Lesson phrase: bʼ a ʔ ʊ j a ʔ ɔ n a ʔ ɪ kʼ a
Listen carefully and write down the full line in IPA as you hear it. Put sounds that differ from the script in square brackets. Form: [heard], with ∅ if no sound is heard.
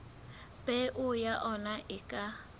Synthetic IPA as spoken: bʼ [ɛ] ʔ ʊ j a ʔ ɔ n a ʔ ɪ kʼ a